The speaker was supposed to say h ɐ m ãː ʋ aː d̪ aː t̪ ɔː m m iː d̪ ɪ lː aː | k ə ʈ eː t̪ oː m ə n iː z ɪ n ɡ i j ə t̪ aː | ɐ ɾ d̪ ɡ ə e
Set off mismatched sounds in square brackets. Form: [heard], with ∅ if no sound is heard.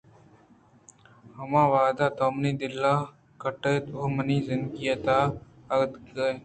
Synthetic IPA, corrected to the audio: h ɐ m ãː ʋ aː d̪ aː t̪ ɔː m [n] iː d̪ ɪ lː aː | k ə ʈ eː t̪ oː m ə n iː z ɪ n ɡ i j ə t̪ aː | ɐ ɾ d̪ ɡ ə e

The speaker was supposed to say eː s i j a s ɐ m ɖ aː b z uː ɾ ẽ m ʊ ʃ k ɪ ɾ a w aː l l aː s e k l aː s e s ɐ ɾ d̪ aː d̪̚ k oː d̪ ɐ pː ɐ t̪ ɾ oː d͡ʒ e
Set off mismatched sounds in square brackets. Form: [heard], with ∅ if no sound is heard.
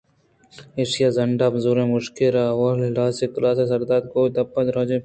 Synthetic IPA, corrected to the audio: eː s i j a [z] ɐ [ɳ] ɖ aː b z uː ɾ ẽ m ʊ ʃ k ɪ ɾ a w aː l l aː s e k l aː s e s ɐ ɾ d̪ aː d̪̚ k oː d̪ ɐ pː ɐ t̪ ɾ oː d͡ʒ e

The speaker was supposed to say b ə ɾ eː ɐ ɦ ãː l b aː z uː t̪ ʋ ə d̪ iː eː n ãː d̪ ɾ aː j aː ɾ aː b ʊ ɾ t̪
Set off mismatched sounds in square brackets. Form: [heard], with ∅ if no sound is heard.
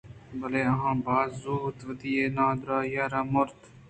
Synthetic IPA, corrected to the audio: b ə [l] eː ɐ ɦ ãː [∅] b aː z uː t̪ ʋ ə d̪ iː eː n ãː d̪ ɾ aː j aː ɾ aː [m] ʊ ɾ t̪

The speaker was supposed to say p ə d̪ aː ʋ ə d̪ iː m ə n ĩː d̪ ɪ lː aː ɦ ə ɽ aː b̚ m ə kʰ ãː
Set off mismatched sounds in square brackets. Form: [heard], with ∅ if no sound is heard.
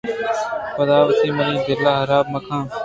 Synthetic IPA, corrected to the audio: p ə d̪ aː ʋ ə [t̪] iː m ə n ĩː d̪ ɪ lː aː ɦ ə [ɾ] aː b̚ m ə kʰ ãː

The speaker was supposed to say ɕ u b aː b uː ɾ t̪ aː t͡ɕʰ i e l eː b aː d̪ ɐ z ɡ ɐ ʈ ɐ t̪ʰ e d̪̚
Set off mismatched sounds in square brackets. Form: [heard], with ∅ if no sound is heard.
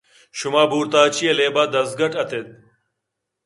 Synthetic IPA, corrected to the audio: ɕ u [m] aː b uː ɾ t̪ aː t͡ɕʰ i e l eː b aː d̪ ɐ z ɡ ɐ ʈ ɐ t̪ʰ e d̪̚

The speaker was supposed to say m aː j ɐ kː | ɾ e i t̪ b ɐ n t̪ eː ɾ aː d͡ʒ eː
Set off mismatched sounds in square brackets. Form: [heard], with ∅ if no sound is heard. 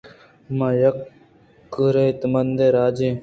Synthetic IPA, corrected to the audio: m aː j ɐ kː | ɾ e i t̪ [m] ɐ n [d̪] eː ɾ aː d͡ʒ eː

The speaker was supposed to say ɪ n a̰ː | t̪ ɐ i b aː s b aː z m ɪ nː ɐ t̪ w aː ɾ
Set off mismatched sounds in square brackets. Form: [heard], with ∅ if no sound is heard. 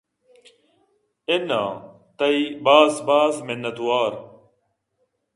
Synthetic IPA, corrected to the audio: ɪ n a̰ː | t̪ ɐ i b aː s b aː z m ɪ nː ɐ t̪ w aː ɾ

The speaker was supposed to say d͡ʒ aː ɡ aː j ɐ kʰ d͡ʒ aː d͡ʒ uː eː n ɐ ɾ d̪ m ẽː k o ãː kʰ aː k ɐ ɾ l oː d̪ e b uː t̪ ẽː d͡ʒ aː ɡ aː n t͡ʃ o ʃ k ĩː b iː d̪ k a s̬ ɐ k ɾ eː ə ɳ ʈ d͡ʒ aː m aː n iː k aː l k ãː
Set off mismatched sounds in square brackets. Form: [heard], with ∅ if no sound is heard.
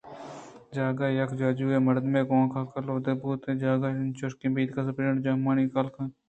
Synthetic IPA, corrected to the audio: d͡ʒ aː ɡ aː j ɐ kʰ d͡ʒ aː d͡ʒ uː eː [m] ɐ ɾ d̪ m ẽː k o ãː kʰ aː k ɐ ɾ l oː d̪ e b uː t̪ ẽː d͡ʒ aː ɡ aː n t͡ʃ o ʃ k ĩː b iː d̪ k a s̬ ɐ [p] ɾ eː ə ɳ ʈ d͡ʒ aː m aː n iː k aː l k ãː

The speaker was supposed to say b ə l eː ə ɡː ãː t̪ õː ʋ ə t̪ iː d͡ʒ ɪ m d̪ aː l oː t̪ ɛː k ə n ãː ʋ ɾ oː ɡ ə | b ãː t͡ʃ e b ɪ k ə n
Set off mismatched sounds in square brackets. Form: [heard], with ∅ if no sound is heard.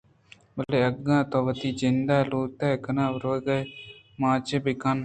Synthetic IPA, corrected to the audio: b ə l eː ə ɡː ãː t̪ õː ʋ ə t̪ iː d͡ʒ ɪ [n] d̪ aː l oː t̪ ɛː k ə n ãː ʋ ɾ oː ɡ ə | [m] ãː t͡ʃ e b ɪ k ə n

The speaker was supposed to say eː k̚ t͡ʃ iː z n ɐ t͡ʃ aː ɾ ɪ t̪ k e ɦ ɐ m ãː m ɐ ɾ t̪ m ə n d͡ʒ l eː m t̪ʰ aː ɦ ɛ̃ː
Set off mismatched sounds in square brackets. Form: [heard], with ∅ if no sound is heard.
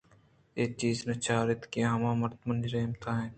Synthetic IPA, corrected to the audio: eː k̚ t͡ʃ iː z n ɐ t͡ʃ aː ɾ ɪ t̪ k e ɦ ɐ m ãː m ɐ ɾ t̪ m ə n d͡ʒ [ɾ] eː m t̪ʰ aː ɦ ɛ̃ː

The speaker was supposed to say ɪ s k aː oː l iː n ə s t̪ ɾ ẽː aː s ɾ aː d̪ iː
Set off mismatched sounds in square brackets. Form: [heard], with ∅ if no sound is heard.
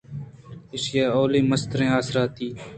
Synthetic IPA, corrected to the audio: ɪ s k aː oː l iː [m] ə s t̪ ɾ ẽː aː s ɾ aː [t̪] iː

